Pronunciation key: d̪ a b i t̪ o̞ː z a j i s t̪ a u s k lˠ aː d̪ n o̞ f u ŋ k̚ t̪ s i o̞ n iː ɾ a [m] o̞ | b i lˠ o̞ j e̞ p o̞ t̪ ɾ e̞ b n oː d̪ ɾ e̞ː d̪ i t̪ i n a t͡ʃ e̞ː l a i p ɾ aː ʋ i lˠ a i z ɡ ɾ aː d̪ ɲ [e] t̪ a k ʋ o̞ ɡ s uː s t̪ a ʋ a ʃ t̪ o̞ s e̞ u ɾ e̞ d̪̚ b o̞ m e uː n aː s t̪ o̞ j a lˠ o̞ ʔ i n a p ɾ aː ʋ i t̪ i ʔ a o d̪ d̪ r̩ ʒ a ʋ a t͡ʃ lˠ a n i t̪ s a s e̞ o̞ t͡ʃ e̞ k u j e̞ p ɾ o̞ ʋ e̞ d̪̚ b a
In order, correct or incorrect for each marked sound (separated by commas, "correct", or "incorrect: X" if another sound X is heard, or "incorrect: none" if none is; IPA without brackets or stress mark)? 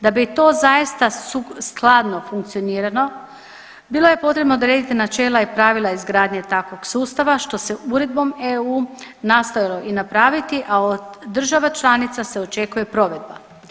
incorrect: n, correct